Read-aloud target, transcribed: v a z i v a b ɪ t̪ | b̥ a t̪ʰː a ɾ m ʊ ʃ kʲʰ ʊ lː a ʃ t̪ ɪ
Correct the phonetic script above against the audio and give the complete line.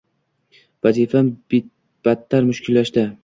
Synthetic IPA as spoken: v a z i f a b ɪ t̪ | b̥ a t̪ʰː a ɾ m ʊ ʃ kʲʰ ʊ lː a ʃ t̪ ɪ